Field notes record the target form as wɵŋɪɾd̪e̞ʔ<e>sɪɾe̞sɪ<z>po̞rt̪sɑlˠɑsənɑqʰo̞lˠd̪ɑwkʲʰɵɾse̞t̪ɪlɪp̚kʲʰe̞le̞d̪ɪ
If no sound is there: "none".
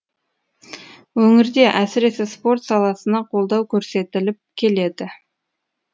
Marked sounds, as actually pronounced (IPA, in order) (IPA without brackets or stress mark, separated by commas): æ, s